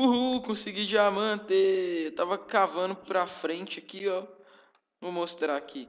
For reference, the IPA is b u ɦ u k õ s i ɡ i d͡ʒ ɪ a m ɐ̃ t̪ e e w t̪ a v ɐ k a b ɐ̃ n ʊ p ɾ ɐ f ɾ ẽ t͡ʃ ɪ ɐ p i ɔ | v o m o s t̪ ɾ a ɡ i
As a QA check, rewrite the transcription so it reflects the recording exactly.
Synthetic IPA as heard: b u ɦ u k õ s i ɡ i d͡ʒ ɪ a m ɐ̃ t̪ e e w t̪ a v ɐ k a v ɐ̃ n ʊ p ɾ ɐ f ɾ ẽ t͡ʃ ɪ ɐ k i ɔ | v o m o s t̪ ɾ a k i